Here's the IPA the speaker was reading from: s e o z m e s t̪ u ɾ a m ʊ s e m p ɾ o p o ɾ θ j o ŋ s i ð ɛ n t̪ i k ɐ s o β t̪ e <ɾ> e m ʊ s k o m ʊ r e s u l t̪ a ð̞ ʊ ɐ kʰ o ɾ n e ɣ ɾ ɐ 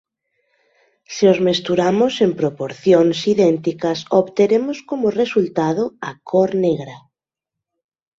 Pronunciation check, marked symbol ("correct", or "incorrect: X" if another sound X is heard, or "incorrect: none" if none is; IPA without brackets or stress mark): correct